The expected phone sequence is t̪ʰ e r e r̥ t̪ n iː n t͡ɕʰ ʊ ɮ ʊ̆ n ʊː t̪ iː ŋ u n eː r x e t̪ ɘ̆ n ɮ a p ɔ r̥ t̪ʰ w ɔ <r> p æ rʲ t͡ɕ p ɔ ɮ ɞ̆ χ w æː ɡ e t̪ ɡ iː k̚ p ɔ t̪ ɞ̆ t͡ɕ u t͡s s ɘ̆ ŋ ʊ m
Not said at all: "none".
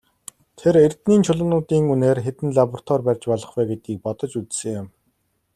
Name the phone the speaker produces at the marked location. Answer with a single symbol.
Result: r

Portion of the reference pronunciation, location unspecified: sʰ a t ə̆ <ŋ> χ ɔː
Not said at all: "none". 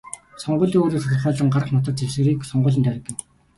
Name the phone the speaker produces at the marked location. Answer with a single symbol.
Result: none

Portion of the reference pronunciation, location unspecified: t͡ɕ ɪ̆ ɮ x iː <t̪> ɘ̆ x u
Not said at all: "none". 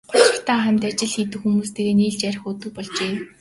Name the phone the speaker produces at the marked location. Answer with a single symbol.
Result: t̪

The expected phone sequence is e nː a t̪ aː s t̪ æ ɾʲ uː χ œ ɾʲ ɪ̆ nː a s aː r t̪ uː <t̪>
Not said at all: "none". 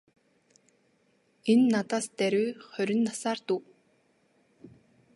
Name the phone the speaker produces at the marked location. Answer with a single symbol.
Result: none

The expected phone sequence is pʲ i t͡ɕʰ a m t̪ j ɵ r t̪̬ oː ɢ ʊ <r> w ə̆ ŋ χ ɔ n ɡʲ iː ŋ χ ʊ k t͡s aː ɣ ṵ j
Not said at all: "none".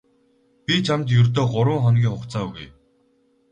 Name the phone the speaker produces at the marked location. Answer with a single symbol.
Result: ɾ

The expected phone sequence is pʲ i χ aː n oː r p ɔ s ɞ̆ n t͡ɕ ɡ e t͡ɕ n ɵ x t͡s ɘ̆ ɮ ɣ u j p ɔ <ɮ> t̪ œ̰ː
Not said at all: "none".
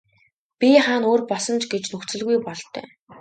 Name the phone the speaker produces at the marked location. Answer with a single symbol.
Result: ɮ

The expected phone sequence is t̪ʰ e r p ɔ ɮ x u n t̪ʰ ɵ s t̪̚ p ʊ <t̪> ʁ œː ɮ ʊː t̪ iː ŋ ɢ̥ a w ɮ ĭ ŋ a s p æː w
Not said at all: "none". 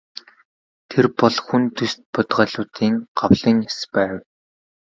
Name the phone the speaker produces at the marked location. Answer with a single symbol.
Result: t̪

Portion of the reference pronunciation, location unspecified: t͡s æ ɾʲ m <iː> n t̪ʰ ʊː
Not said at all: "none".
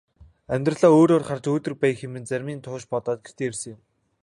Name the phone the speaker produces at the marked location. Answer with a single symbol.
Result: iː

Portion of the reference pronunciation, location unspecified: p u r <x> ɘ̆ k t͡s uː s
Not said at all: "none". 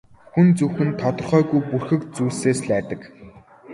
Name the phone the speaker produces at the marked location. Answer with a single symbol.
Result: x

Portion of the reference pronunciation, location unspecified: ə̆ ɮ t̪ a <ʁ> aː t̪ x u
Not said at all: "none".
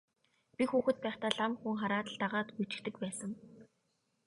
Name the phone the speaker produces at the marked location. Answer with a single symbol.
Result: ʁ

